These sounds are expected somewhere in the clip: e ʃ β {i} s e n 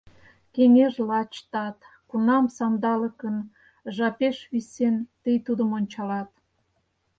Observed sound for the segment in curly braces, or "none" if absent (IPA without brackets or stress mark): i